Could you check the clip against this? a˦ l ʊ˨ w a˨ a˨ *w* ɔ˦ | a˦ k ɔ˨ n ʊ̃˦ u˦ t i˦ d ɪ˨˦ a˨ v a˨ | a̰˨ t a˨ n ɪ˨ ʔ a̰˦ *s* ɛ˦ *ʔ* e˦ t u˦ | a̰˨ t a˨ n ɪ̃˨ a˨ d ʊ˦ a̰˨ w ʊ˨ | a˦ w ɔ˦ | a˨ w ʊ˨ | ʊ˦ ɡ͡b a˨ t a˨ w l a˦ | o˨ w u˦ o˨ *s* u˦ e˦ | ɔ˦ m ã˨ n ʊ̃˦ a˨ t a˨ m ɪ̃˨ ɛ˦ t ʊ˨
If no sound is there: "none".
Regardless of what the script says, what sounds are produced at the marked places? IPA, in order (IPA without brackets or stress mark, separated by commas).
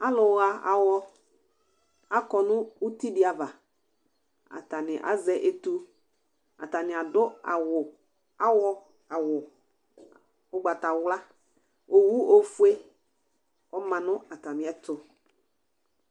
w, z, ʔ, f